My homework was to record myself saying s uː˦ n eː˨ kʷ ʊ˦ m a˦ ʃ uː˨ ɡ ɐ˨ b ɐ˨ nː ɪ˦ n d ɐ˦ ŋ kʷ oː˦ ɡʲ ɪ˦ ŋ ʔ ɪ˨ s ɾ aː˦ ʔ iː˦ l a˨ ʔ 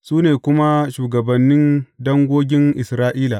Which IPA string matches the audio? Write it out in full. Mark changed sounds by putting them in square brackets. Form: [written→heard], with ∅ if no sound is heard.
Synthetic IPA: s uː˦ n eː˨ kʷ ʊ˦ m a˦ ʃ uː˨ ɡ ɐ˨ b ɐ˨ nː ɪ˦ n d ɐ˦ ŋ [kʷ→ɡʷ] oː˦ ɡʲ ɪ˦ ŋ ʔ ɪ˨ s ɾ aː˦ ʔ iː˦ l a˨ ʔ